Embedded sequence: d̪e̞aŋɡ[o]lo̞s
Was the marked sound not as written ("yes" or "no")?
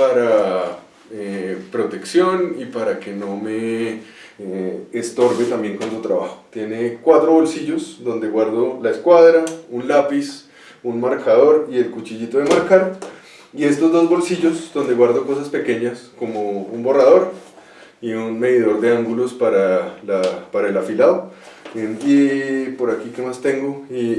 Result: yes